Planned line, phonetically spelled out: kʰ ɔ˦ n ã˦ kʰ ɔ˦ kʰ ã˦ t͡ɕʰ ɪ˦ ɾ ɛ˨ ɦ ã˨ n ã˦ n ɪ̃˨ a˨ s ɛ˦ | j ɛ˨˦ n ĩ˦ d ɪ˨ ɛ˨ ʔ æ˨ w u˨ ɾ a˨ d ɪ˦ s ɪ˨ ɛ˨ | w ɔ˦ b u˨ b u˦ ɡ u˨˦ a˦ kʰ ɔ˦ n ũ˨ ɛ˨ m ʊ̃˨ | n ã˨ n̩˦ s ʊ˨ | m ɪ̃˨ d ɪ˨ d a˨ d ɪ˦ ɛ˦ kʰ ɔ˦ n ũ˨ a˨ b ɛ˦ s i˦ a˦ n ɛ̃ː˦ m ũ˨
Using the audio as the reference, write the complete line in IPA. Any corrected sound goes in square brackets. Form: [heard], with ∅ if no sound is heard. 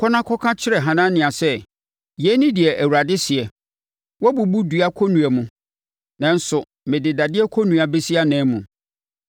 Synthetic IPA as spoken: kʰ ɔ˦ n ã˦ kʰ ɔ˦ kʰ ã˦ t͡ɕʰ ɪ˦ ɾ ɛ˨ ɦ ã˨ n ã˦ n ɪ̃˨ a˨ s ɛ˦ | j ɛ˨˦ n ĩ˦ d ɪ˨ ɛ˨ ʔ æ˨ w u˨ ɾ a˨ d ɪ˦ s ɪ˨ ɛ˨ | w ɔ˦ b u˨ b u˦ [d] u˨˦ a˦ kʰ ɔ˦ n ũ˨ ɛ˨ m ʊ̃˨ | n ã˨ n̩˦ s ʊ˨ | m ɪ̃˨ d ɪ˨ d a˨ d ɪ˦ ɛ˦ kʰ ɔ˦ n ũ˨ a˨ b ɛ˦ s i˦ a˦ n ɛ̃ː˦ m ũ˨